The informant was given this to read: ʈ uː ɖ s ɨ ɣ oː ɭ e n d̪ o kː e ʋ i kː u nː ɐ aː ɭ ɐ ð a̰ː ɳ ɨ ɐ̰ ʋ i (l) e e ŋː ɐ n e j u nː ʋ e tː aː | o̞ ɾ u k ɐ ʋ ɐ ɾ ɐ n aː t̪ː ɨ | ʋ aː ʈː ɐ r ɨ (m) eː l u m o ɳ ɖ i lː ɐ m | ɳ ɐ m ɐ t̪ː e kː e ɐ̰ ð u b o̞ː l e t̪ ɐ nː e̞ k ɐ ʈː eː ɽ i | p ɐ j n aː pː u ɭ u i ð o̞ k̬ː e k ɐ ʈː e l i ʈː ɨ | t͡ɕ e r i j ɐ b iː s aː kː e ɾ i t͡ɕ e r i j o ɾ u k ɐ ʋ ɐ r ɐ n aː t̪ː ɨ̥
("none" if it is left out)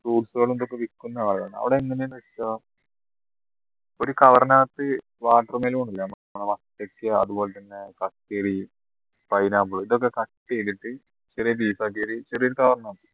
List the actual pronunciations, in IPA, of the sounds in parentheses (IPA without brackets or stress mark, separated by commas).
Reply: ɽ, m